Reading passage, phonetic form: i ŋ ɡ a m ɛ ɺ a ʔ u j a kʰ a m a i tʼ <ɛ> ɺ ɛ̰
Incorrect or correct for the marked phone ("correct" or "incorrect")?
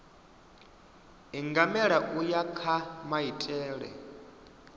incorrect